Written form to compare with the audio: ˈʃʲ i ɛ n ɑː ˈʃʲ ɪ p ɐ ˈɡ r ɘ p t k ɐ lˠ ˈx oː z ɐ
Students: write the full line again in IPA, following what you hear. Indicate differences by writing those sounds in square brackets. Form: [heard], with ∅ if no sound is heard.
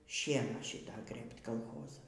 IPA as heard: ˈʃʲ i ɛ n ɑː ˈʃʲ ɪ [t] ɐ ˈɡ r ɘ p t k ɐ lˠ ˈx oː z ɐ